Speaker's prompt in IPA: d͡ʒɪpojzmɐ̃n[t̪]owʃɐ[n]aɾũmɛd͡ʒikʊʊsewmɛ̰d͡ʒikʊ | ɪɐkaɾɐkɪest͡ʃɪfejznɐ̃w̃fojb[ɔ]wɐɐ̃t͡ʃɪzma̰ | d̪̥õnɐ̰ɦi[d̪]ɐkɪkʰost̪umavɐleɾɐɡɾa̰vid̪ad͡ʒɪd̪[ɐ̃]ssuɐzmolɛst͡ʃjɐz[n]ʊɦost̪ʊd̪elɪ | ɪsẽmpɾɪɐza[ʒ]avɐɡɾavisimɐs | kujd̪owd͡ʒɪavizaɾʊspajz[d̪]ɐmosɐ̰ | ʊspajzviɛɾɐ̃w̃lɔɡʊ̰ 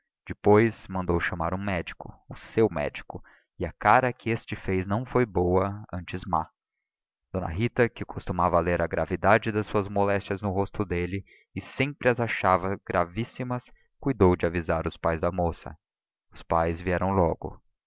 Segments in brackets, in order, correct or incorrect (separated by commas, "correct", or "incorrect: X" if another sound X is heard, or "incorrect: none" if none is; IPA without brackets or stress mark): incorrect: d̪, incorrect: m, incorrect: o, incorrect: t̪, incorrect: ɐ, correct, incorrect: ʃ, correct